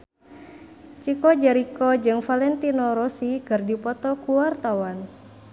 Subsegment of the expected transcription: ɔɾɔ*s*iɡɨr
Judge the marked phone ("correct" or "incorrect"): correct